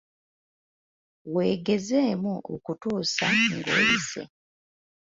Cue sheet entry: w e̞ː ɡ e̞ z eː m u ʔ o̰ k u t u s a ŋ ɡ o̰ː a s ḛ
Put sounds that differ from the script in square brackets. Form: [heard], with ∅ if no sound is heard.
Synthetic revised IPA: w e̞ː ɡ e̞ z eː m u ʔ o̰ k u t [uː] s a ŋ ɡ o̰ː [i] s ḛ